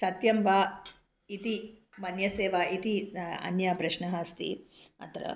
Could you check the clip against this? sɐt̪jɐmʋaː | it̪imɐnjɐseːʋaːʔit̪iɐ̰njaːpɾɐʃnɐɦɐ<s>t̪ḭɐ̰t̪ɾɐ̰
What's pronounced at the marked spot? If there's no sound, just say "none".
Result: s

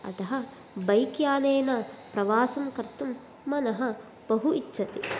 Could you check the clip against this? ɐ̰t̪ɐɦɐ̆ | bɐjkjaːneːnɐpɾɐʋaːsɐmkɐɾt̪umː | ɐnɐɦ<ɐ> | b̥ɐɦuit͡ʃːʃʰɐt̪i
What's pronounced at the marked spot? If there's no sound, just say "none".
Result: ɐ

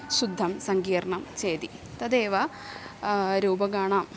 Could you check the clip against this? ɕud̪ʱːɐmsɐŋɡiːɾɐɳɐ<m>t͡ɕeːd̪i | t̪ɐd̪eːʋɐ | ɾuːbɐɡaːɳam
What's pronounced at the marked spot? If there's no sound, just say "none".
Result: m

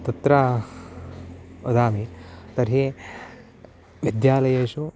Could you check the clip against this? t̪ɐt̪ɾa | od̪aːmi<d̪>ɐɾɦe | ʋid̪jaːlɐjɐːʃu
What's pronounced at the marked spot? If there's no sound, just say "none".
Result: t̪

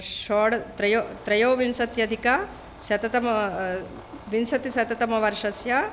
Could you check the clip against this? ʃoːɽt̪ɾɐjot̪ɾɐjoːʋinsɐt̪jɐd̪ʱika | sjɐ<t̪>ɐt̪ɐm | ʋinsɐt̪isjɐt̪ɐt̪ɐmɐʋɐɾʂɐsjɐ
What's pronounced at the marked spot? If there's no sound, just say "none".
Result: t̪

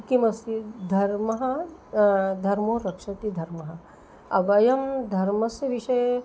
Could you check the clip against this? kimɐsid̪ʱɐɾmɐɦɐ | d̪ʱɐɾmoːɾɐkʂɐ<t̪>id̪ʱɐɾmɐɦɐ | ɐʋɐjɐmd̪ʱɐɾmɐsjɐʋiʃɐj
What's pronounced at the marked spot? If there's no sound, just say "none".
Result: t̪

